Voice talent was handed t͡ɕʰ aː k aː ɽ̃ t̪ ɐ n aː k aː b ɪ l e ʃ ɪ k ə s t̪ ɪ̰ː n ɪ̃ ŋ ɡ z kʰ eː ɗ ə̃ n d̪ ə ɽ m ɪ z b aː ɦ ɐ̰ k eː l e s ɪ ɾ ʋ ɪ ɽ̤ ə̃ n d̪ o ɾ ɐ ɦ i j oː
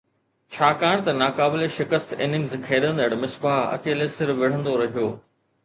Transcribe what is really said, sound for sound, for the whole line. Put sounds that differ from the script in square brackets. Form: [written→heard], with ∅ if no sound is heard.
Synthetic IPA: t͡ɕʰ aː k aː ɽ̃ t̪ ɐ n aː k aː b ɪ l e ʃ ɪ k ə s t̪ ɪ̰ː n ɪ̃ ŋ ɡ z kʰ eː ɗ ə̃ n d̪ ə ɽ m ɪ [z→s] b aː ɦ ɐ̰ k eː l e s ɪ ɾ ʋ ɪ ɽ̤ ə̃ n d̪ o ɾ ɐ ɦ i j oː